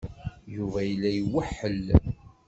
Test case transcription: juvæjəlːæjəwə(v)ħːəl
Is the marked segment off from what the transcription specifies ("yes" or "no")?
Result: yes